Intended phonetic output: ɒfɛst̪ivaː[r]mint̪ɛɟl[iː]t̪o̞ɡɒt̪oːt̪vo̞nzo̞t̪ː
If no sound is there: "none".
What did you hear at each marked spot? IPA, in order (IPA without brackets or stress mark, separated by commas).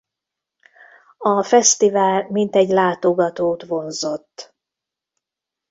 l, aː